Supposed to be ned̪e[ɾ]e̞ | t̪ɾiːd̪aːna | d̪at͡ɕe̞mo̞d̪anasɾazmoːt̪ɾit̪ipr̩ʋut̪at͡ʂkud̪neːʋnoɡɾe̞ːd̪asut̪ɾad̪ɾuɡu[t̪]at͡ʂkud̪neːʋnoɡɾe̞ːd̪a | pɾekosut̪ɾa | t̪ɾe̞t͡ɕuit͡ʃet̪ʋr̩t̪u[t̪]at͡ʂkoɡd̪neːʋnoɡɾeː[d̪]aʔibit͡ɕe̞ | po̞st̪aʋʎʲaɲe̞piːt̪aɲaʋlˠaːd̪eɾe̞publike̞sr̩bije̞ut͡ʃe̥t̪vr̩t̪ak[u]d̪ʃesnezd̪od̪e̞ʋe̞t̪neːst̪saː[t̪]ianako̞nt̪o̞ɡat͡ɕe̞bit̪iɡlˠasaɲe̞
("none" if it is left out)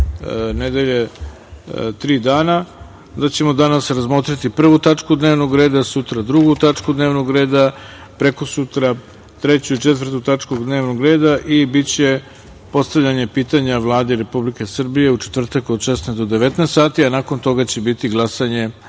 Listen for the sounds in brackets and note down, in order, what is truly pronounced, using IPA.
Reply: ʎ, t̪, t̪, d̪, o, t̪

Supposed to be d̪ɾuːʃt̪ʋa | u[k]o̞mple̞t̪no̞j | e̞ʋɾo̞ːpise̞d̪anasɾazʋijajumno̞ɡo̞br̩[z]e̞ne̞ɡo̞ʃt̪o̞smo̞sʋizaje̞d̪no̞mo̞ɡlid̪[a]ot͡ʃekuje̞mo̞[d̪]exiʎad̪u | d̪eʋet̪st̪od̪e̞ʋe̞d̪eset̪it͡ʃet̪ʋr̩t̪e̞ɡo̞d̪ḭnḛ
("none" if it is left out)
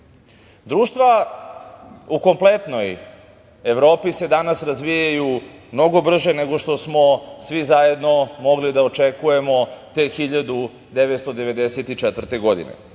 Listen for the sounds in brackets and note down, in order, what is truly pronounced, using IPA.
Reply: k, ʒ, a, t̪

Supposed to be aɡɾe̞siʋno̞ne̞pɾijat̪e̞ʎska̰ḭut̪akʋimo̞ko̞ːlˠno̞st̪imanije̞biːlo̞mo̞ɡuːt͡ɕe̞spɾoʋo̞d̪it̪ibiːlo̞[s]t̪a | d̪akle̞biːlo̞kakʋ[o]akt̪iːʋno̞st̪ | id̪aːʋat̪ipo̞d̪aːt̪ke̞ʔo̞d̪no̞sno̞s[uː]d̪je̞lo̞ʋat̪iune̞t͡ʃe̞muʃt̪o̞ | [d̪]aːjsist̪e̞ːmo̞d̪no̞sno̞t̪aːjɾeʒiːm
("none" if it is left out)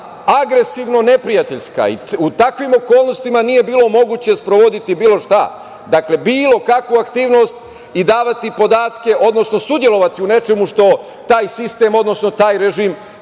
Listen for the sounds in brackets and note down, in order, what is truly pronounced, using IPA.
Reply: ʃ, u, u, t̪

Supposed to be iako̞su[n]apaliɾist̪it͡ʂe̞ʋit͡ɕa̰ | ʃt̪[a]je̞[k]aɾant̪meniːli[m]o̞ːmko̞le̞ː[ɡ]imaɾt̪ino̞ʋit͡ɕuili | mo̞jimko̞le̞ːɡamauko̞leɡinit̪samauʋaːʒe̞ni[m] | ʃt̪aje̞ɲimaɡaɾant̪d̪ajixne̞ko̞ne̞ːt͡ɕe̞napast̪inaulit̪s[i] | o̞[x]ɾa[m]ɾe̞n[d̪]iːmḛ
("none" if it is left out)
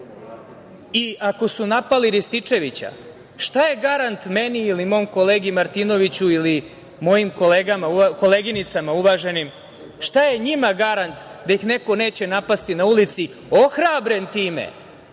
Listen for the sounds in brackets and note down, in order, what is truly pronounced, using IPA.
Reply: n, a, ɡ, m, ɡ, m, i, x, b, t̪

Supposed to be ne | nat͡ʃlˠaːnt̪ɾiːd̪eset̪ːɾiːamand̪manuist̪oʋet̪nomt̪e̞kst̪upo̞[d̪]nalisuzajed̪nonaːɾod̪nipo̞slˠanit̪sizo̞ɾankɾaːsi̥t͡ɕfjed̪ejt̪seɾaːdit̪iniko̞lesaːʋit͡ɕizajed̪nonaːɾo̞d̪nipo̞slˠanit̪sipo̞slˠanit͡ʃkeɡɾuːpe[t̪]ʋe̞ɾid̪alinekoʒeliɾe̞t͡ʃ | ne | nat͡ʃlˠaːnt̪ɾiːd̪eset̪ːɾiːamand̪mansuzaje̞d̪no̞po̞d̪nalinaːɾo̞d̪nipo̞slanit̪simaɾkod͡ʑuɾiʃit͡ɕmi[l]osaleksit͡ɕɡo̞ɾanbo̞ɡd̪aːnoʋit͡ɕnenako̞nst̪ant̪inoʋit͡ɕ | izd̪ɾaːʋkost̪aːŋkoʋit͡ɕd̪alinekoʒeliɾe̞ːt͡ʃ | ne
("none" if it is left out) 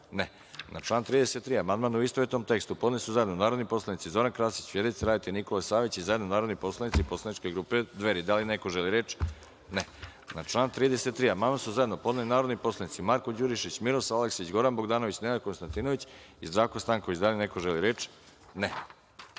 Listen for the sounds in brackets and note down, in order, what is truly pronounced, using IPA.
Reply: d̪, d̪, ɾ

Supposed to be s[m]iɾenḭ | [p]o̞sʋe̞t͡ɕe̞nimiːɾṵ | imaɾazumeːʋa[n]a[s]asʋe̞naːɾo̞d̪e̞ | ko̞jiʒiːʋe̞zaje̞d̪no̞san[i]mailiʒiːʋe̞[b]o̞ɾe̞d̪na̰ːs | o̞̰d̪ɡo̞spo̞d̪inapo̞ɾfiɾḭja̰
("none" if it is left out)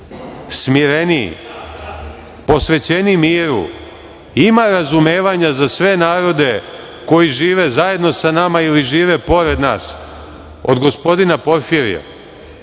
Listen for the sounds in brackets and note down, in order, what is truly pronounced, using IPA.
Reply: m, p, ɲ, z, a, p

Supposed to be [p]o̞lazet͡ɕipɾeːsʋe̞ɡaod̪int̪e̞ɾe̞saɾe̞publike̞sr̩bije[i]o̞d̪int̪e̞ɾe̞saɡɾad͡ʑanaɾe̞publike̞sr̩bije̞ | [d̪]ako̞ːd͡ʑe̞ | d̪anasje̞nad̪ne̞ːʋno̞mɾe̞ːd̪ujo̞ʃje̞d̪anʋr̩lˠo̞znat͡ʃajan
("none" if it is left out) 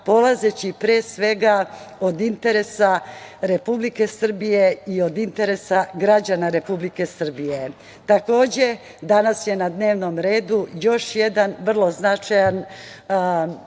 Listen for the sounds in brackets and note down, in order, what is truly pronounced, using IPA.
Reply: p, i, t̪

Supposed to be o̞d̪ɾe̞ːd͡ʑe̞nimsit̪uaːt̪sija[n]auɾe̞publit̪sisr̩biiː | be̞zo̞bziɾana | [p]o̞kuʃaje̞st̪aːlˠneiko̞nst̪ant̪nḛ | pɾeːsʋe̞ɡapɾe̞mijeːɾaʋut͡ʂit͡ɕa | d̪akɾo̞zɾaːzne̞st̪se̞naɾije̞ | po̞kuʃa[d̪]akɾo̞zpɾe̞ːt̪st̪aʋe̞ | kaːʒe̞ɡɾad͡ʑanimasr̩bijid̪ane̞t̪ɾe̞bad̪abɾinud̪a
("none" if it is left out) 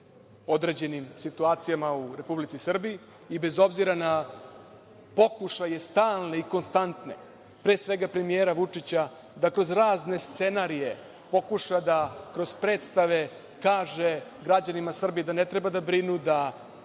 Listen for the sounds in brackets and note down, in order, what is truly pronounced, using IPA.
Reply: m, p, d̪

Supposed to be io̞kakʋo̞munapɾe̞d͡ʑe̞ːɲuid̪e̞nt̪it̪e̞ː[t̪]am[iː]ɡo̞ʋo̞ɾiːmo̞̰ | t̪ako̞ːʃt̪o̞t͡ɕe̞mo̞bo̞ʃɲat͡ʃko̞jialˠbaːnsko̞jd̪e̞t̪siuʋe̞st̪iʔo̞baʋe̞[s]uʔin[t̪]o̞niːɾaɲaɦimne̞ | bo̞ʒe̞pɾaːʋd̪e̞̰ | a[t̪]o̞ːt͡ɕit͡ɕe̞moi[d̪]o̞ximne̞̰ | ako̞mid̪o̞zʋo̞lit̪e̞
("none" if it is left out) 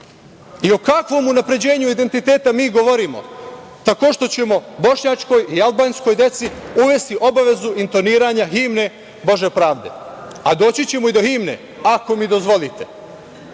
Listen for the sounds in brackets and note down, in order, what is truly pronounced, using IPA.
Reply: t̪, iː, z, t̪, d̪, d̪

